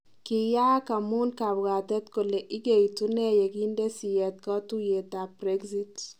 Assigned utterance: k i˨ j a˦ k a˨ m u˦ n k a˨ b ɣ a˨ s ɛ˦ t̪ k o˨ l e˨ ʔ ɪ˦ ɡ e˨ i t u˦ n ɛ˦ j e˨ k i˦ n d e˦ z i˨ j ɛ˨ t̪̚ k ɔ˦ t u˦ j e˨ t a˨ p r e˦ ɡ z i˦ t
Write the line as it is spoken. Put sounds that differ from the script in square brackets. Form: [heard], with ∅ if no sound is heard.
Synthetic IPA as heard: k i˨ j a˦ k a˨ m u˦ n k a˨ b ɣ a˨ [t] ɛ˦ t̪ k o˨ l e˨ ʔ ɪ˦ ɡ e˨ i t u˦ n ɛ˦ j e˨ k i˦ n d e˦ [s] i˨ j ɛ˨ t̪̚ k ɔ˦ t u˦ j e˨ t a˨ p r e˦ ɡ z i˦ t